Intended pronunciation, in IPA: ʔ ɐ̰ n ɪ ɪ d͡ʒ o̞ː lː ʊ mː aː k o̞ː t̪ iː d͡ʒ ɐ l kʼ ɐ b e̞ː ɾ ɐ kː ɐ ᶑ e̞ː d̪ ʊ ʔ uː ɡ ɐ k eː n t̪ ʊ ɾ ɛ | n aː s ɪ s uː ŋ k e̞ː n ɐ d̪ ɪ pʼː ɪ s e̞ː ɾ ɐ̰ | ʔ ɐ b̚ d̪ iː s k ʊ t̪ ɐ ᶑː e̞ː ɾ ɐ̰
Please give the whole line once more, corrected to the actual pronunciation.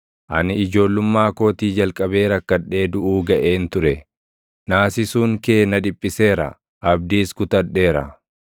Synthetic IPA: ʔ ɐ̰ n ɪ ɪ d͡ʒ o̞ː lː ʊ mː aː k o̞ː t̪ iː d͡ʒ ɐ l kʼ ɐ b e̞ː ɾ ɐ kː ɐ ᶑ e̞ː d̪ ʊ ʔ uː ɡ ɐ ʔ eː n t̪ ʊ ɾ ɛ | n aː s ɪ s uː ŋ k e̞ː n ɐ d̪ ɪ pʼː ɪ s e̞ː ɾ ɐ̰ | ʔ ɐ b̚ d̪ iː s k ʊ t̪ ɐ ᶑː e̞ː ɾ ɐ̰